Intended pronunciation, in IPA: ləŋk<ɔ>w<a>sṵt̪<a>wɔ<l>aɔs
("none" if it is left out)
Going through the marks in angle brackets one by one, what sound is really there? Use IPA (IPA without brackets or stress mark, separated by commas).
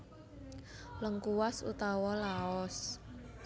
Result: u, a, a, l